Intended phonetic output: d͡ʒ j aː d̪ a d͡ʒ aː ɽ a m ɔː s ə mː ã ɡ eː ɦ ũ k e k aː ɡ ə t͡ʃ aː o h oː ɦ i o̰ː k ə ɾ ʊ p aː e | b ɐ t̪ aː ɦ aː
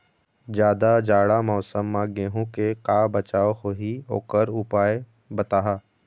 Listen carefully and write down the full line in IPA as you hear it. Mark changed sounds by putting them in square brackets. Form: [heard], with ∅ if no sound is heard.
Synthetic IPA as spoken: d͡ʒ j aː d̪ a d͡ʒ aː ɽ a m ɔː s ə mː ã ɡ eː ɦ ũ k e k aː [b] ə t͡ʃ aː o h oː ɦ i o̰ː k ə ɾ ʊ p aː e | b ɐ t̪ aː ɦ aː